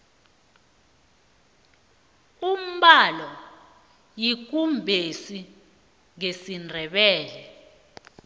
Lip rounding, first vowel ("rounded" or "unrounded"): rounded